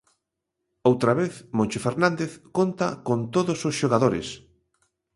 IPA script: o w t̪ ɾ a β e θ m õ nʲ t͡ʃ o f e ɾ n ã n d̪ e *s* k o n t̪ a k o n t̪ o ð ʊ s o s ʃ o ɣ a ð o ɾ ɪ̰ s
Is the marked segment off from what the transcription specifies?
yes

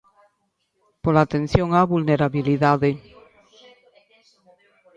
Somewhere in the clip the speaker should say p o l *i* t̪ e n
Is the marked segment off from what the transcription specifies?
yes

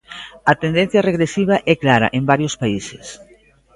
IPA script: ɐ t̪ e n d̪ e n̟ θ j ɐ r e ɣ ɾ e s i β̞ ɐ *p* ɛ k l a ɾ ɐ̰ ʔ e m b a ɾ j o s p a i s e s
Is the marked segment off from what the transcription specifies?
yes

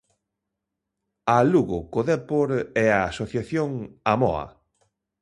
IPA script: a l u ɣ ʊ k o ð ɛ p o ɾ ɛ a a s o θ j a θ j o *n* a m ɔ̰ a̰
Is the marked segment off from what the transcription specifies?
yes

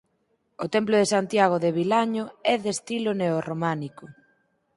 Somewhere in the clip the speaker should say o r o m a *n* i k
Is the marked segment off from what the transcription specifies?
no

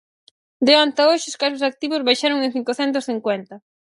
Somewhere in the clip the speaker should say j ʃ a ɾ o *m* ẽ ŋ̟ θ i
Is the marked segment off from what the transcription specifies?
yes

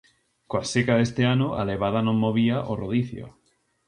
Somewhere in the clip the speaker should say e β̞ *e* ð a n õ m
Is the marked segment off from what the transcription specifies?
yes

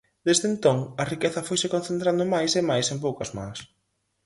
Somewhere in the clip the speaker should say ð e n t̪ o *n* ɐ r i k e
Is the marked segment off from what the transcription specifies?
yes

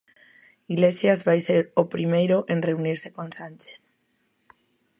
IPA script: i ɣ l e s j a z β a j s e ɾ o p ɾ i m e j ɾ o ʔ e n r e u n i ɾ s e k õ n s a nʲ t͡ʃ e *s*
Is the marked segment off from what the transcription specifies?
yes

